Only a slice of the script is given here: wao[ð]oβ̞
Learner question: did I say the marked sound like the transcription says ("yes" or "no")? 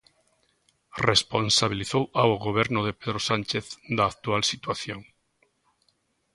no